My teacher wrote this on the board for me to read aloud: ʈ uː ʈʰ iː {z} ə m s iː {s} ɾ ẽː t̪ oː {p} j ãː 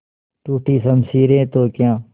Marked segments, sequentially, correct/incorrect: incorrect: s, incorrect: none, incorrect: k

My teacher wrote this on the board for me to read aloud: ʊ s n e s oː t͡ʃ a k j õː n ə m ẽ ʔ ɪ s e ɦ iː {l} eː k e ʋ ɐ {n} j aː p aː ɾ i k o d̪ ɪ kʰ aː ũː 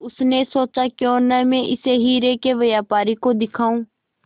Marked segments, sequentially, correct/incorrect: incorrect: ɾ, incorrect: none

